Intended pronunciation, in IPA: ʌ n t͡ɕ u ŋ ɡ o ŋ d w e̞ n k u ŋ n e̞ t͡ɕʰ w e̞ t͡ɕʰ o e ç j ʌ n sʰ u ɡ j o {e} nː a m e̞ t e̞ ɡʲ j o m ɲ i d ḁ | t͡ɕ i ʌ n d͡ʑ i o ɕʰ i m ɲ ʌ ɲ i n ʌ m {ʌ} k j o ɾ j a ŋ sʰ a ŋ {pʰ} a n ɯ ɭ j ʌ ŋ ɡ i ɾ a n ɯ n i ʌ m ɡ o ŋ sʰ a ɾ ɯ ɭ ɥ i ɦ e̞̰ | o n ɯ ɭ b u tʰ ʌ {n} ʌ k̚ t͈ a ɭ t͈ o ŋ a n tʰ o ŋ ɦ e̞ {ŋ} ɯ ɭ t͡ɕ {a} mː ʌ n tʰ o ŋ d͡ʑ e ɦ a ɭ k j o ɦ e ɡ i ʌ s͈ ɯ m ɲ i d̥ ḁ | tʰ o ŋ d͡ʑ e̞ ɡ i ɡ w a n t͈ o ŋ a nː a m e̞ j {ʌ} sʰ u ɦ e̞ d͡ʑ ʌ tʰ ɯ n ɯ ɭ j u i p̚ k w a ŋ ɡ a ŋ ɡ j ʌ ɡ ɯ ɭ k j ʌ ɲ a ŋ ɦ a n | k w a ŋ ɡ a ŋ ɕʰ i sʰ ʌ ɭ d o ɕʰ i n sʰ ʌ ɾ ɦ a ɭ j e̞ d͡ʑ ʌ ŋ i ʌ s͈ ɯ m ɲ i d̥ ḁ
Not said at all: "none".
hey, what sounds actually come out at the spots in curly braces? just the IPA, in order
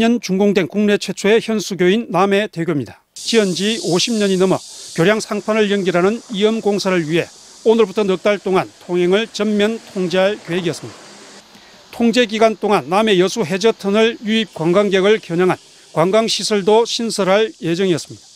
i, ʌ, pʰ, n, ŋ, ʌ, ʌ

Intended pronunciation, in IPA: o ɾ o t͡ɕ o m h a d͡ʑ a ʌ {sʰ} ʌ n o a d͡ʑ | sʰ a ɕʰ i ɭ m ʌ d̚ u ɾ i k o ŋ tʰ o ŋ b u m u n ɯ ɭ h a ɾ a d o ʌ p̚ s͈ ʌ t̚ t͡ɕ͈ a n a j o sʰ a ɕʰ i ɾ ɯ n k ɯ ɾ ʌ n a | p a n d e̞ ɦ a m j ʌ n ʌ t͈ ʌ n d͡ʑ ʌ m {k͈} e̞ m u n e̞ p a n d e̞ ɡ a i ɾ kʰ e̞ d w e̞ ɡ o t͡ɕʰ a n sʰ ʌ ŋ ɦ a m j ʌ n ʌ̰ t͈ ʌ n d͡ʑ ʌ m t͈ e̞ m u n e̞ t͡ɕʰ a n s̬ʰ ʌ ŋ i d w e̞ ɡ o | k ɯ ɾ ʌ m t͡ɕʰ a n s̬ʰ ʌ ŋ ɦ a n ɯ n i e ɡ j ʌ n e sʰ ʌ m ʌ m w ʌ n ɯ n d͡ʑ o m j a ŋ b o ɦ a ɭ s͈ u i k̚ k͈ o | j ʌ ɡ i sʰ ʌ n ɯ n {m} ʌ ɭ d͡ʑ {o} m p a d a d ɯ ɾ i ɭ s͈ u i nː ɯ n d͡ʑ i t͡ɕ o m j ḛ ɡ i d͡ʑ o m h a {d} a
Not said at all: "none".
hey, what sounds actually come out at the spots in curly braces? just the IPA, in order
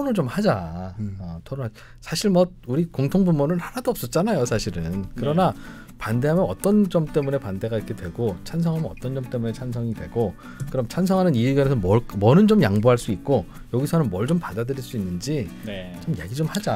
tʰ, t͈, m, o, d͡ʑ

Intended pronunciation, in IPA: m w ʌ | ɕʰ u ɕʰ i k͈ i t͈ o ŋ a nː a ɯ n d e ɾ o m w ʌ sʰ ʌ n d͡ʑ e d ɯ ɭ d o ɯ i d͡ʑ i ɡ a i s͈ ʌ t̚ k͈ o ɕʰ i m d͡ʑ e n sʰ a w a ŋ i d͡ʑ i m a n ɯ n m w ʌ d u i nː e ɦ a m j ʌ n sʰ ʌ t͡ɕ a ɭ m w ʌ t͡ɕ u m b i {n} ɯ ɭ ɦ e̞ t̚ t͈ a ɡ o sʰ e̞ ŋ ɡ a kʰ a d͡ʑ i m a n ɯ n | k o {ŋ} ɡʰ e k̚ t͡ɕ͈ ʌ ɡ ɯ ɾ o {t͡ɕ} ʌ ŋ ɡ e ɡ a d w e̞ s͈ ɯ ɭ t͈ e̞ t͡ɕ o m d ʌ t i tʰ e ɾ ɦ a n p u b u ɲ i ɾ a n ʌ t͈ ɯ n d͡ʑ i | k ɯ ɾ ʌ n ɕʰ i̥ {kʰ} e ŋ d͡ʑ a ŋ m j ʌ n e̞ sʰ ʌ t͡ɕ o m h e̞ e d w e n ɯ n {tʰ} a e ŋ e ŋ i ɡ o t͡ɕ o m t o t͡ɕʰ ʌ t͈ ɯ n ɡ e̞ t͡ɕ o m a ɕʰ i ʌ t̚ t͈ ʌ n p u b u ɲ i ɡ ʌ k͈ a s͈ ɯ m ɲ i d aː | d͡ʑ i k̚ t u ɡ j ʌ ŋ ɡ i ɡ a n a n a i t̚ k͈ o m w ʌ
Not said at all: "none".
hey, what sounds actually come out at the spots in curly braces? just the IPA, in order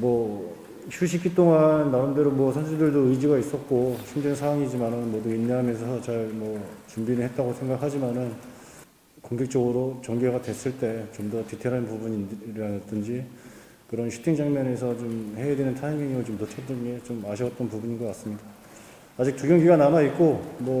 n, ŋ, t͡ɕ, tʰ, tʰ

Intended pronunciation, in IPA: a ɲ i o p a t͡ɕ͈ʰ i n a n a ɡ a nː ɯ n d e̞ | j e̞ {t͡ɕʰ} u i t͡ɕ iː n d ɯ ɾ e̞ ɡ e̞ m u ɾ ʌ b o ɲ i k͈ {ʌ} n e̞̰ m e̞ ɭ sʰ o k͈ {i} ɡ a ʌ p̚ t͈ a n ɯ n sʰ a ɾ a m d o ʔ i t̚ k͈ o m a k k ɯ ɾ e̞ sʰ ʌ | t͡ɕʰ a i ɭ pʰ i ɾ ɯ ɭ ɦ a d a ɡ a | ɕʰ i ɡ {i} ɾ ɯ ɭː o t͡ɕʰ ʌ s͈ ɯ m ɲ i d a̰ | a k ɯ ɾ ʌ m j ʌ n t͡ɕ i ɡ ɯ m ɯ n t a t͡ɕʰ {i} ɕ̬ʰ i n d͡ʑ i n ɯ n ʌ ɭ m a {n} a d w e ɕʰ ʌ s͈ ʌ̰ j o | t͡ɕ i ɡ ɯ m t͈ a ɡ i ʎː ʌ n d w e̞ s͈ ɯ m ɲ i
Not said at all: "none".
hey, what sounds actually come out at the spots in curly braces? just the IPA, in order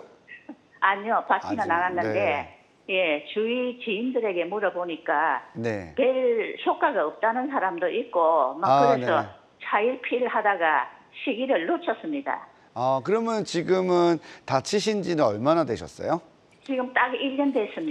t͡ɕ, a, a, i, i, n

